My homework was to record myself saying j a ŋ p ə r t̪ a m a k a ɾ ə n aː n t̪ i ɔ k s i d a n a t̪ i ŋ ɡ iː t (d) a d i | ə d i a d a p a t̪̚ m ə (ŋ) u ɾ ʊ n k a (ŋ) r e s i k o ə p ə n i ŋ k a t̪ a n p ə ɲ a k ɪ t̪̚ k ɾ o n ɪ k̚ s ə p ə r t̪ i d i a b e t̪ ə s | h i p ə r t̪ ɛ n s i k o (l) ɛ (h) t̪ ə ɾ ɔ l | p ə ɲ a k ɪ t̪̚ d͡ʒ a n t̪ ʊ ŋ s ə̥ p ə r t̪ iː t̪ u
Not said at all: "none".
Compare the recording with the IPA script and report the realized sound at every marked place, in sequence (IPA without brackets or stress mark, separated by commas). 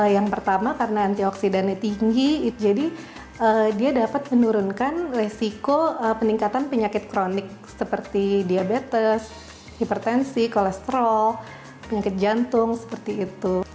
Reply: d͡ʒ, n, n, l, s